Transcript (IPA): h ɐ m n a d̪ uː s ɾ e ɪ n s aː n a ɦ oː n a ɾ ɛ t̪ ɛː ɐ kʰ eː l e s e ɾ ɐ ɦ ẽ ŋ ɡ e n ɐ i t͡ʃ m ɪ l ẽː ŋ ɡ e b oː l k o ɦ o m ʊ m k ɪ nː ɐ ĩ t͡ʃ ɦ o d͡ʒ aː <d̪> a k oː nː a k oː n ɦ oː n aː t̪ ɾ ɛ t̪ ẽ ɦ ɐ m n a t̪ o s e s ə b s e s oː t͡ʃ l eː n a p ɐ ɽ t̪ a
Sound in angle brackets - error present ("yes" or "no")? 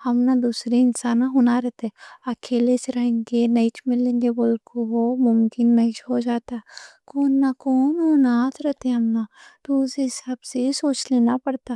yes